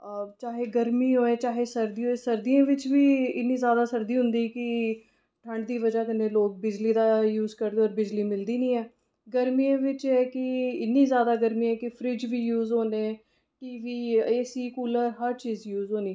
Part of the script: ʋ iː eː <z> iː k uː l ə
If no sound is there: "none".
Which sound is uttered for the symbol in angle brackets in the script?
s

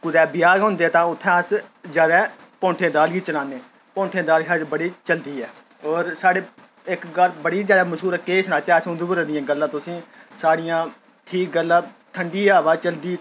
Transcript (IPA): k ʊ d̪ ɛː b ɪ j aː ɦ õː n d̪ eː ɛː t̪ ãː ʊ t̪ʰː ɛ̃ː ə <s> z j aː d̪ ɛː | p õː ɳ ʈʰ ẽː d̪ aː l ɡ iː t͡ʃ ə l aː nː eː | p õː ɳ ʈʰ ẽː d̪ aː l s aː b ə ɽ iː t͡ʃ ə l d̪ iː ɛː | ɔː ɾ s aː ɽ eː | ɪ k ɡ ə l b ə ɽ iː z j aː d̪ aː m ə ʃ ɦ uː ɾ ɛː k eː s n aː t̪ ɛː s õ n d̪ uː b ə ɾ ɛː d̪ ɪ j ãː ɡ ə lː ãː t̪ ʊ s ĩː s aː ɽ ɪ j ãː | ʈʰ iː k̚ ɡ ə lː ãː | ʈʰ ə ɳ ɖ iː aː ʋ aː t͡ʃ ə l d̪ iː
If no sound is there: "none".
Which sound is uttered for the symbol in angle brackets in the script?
s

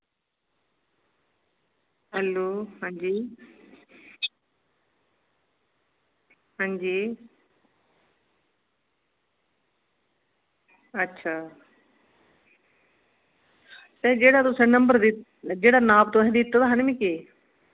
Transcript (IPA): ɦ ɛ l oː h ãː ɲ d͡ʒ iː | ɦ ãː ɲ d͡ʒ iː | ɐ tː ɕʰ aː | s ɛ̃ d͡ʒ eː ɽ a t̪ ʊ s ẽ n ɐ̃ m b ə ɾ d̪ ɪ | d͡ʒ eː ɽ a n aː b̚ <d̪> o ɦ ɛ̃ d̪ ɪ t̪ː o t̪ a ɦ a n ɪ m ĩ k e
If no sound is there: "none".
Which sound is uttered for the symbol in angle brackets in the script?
t̪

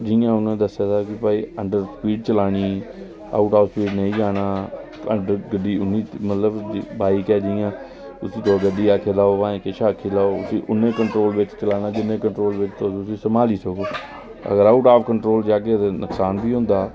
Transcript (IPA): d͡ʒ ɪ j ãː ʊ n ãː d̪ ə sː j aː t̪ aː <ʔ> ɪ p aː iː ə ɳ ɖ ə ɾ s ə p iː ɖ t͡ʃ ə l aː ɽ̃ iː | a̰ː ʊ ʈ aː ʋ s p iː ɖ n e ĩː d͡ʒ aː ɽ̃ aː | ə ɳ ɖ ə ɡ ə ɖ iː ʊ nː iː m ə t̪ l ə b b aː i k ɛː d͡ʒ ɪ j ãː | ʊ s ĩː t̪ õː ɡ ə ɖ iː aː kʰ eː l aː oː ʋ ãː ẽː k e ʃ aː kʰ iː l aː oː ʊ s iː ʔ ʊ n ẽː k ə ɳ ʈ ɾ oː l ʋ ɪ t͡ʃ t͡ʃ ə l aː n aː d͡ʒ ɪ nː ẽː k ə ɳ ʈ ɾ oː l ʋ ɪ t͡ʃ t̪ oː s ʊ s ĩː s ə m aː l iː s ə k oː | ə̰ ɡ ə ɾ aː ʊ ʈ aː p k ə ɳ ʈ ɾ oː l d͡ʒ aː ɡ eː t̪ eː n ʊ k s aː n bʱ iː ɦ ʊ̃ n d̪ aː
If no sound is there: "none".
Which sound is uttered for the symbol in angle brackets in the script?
k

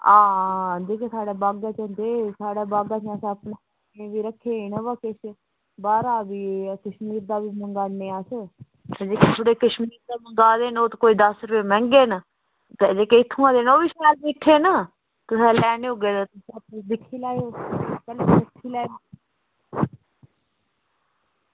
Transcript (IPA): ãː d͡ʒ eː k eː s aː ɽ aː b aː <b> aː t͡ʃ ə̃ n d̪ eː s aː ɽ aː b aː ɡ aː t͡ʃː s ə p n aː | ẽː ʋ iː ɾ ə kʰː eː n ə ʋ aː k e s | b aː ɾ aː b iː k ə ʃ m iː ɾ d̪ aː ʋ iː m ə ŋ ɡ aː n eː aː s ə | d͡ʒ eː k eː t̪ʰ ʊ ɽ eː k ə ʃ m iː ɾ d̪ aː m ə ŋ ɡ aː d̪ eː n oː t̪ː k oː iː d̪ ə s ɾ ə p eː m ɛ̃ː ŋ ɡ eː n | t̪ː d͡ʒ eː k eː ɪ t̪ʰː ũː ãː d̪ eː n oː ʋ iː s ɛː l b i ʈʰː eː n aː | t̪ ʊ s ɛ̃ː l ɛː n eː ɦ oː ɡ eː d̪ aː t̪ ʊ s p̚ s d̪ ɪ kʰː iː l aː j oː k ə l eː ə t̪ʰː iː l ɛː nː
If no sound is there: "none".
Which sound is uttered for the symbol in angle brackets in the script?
ɡ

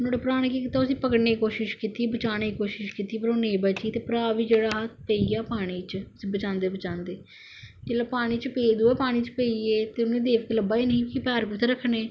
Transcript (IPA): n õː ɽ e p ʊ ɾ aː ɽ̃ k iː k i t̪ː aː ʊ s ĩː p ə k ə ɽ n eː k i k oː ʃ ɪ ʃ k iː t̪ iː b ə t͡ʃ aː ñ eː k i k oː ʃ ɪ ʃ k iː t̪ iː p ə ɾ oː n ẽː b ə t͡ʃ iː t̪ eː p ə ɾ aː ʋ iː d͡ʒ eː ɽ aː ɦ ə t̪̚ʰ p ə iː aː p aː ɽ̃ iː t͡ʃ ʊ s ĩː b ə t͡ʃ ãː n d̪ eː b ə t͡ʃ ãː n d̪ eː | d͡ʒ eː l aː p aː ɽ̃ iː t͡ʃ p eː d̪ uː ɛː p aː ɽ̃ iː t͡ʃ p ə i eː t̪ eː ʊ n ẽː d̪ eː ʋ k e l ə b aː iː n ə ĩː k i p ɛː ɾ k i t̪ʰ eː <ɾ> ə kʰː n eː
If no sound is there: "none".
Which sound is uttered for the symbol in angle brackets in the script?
ɾ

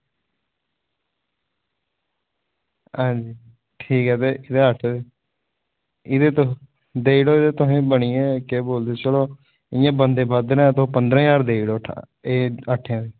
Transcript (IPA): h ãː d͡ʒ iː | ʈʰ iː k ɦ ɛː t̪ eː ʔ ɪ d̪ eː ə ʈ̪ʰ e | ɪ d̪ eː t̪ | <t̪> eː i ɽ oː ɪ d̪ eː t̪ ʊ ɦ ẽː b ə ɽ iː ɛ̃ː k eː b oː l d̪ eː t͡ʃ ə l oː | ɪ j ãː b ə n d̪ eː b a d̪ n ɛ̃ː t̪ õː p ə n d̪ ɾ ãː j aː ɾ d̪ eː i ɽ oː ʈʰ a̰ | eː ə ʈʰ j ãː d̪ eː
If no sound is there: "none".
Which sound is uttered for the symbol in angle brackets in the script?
d̪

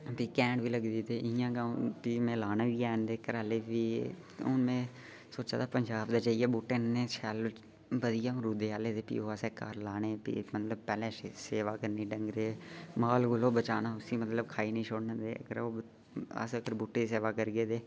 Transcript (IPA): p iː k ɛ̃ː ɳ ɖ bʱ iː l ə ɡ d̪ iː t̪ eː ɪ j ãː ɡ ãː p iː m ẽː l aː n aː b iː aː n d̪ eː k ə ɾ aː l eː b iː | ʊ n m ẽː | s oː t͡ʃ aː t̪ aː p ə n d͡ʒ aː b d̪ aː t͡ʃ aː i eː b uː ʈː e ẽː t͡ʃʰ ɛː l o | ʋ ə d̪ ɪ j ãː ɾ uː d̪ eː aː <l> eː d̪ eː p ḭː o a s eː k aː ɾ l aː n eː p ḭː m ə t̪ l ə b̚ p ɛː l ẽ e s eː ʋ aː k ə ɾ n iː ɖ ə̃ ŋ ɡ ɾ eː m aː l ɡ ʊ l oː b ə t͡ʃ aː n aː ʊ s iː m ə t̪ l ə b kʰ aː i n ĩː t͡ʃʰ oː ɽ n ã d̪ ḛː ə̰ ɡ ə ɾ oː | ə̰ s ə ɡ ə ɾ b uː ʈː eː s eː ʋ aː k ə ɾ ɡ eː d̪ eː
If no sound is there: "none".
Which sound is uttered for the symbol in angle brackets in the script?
l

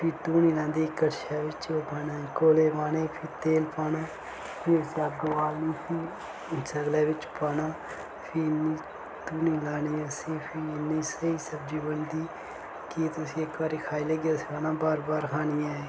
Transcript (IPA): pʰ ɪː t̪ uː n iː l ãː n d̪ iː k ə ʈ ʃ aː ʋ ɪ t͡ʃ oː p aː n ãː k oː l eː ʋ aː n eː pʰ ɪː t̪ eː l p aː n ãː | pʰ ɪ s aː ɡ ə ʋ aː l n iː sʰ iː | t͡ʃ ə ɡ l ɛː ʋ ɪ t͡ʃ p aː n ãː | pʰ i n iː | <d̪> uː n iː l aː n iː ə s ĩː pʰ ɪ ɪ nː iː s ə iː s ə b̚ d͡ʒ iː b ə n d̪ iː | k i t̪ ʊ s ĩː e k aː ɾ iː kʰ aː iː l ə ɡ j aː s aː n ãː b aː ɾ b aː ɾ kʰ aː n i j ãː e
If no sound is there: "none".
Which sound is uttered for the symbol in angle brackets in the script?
t̪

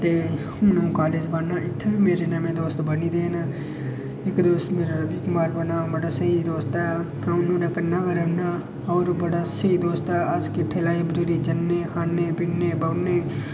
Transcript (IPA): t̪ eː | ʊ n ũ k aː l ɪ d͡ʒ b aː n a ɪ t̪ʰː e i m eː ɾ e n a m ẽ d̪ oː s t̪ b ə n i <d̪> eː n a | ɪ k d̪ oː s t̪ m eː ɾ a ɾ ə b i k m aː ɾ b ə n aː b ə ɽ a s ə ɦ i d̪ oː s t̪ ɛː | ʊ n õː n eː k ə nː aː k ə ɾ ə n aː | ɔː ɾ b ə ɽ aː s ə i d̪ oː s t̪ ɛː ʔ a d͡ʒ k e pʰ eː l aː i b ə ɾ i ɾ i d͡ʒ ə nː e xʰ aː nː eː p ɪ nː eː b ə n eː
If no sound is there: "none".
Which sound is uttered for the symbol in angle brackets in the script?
d̪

